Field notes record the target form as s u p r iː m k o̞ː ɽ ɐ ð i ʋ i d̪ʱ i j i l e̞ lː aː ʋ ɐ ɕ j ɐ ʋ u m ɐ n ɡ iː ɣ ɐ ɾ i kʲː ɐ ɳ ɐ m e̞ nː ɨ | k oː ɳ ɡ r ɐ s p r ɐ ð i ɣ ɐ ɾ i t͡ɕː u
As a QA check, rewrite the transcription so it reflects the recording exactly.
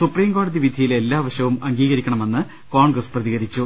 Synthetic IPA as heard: s u p r iː m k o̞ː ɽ ɐ ð i ʋ i d̪ʱ i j i l e̞ lː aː ʋ ɐ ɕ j ɐ ʋ u m ɐ ŋ ɡ iː ɣ ɐ ɾ i kʲː ɐ ɳ ɐ m e̞ nː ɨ | k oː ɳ ɡ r ɐ s p r ɐ ð i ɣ ɐ ɾ i t͡ɕː u

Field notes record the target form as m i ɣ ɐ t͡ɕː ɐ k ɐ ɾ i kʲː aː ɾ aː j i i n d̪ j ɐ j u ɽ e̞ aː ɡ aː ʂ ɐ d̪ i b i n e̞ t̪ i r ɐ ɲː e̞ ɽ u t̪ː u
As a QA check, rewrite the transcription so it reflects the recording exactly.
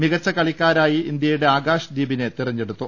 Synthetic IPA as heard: m i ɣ ɐ t͡ɕː ɐ k ɐ ɭ i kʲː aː ɾ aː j i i n d̪ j ɐ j u ɽ e̞ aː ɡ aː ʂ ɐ d̪ iː b i n e̞ t̪ i r ɐ ɲː e̞ ɽ u t̪ː u

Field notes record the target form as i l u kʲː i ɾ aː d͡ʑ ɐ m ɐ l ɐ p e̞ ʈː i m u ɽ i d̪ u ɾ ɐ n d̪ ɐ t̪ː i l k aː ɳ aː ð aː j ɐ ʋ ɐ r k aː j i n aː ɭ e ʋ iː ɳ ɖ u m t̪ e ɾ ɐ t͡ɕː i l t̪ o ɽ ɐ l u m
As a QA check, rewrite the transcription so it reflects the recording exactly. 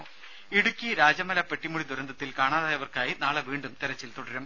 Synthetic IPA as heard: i ɽ u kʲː i ɾ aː d͡ʑ ɐ m ɐ l ɐ p e̞ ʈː i m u ɽ i d̪ u ɾ ɐ n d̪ ɐ t̪ː i l k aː ɳ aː ð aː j ɐ ʋ ɐ r k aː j i n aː ɭ e ʋ iː ɳ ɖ u m t̪ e ɾ ɐ t͡ɕː i l t̪ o ɽ ɐ ɾ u m

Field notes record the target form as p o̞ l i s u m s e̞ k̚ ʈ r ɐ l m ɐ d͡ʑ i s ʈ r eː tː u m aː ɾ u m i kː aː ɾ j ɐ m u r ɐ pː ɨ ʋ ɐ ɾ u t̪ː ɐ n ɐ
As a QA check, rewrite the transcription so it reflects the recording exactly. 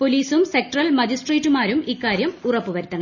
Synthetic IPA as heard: p o̞ l iː s u m s e̞ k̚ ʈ r ɐ l m ɐ d͡ʑ i s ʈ r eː tː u m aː ɾ u m i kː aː ɾ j ɐ m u r ɐ pː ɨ ʋ ɐ ɾ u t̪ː ɐ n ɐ

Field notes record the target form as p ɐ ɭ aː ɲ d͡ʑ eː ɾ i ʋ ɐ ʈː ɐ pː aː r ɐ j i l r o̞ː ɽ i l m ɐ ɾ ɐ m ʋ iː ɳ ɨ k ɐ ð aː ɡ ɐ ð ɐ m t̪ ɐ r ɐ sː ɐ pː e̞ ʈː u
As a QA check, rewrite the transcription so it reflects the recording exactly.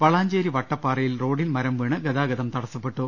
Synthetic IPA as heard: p ɐ ɭ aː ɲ d͡ʑ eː ɾ i ʋ ɐ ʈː ɐ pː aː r ɐ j i l r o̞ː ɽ i l m ɐ ɾ ɐ m ʋ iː ɳ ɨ ɡ ɐ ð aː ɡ ɐ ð ɐ m t̪ ɐ ɽ ɐ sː ɐ pː e̞ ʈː u

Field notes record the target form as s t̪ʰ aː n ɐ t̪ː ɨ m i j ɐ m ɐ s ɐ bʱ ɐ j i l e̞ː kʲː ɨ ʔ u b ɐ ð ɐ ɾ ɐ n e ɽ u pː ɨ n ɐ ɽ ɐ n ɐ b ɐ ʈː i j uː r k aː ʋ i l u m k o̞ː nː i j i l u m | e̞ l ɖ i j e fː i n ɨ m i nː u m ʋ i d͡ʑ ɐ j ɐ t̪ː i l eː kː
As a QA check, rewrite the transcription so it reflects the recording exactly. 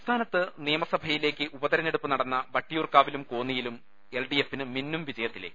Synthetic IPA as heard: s t̪ʰ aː n ɐ t̪ː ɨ n i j ɐ m ɐ s ɐ bʱ ɐ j i l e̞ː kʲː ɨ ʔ u b ɐ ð ɐ ɾ ɐ n e ɽ u pː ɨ n ɐ ɽ ɐ nː ɐ b ɐ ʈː i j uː r k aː ʋ i l u m k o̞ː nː i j i l u m | e̞ l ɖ i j e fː i n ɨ m i nː u m ʋ i d͡ʑ ɐ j ɐ t̪ː i l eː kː

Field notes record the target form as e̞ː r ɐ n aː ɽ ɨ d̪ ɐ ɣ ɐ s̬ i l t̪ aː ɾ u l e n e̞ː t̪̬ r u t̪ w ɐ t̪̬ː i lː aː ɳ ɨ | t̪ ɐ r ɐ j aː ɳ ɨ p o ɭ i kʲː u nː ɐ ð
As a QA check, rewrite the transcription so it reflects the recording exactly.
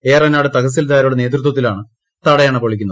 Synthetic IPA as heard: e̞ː r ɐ n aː ɽ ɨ t̪ ɐ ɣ ɐ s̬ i l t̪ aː ɾ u ɽ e n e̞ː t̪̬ r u t̪ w ɐ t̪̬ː i l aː ɳ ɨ | t̪ ɐ ɽ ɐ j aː ɳ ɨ p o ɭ i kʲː u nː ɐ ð

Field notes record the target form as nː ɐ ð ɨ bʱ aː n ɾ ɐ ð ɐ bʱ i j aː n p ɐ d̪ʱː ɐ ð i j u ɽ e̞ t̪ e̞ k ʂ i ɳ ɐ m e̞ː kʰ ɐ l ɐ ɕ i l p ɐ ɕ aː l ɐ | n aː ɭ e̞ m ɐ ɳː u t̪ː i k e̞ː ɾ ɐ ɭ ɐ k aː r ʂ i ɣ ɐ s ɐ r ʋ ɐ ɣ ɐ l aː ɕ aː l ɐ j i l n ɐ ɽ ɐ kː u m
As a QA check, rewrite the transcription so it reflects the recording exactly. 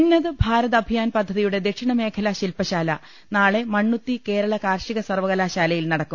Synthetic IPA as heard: nː ɐ ð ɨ bʱ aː ɾ ɐ ð ɐ bʱ i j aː n p ɐ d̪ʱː ɐ ð i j u ɽ e̞ d̪ e̞ k ʂ i ɳ ɐ m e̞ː kʰ ɐ l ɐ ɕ i l p ɐ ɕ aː l ɐ | n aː ɭ e̞ m ɐ ɳː u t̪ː i k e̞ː ɾ ɐ ɭ ɐ k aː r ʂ i ɣ ɐ s ɐ r ʋ ɐ ɣ ɐ l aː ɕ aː l ɐ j i l n ɐ ɽ ɐ kː u m

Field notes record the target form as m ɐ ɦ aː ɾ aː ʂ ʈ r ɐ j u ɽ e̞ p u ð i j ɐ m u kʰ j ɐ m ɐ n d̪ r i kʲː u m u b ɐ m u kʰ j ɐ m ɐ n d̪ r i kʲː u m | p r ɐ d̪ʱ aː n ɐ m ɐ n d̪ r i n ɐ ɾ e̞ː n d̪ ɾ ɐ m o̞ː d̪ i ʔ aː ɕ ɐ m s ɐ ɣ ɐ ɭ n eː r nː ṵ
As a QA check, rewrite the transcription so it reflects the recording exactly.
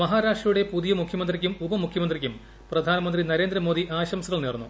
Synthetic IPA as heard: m ɐ ɦ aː ɾ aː ʂ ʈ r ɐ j u ɽ e̞ p u ð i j ɐ m u kʰ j ɐ m ɐ n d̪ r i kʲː u m u b ɐ m u kʰ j ɐ m ɐ n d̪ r i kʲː u m | p r ɐ d̪ʱ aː n ɐ m ɐ n d̪ r i n ɐ ɾ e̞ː n d̪ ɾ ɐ m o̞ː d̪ i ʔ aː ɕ ɐ m s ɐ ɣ ɐ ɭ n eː r nː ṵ

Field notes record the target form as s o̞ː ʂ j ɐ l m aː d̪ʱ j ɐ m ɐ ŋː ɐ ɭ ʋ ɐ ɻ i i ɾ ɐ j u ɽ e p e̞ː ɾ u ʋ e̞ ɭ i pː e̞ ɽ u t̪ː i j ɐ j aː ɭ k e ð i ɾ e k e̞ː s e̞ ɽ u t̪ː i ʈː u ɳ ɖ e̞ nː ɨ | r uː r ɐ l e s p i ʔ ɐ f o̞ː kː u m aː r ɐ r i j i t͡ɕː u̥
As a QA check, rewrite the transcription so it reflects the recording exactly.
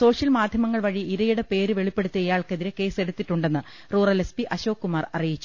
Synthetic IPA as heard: s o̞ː ʂ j ɐ l m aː d̪ʱ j ɐ m ɐ ŋː ɐ ɭ ʋ ɐ ɻ i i ɾ ɐ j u ɽ e p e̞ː ɾ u ʋ e̞ ɭ i pː e̞ ɽ u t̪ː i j ɐ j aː ɭ k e ð i ɾ e k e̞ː s e̞ ɽ u t̪ː i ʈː u ɳ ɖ e̞ nː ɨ | r uː r ɐ l e s p i ʔ ɐ ɕ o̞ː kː u m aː r ɐ r i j i t͡ɕː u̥

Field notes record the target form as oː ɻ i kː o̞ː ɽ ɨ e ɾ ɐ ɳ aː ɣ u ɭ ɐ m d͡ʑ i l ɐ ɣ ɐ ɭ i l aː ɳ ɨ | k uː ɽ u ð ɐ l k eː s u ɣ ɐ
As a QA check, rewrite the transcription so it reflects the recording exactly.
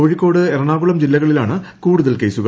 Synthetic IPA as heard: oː ɻ i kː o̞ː ɽ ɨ e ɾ ɐ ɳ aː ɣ u ɭ ɐ m d͡ʑ i lː ɐ ɣ ɐ ɭ i l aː ɳ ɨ | k uː ɽ u ð ɐ l k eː s u ɣ ɐ

